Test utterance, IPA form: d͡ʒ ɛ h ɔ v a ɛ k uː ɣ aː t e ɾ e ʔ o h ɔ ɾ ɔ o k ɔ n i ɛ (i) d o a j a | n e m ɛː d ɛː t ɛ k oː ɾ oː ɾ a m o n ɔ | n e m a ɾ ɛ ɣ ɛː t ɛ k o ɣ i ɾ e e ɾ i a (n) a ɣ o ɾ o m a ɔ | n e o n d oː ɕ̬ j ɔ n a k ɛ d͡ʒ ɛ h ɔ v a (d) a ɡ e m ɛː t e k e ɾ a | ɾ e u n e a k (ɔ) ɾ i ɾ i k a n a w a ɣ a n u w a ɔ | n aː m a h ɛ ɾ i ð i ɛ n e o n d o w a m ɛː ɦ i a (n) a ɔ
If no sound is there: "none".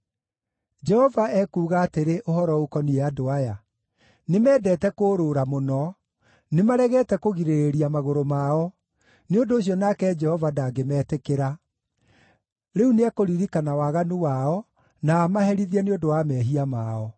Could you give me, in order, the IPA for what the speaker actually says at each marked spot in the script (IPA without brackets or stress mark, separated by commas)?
a, m, d, o, m